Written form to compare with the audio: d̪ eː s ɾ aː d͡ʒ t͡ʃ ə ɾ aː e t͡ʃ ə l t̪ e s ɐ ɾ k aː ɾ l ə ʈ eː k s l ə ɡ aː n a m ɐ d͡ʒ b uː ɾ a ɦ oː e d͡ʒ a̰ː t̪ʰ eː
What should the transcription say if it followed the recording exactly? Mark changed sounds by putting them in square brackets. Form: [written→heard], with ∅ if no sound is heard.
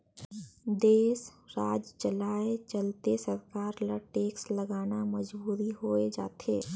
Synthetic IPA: d̪ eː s ɾ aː d͡ʒ t͡ʃ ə [ɾ→l] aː e t͡ʃ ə l t̪ e s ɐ ɾ k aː ɾ l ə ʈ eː k s l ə ɡ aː n a m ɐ d͡ʒ b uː ɾ [a→i] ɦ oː e d͡ʒ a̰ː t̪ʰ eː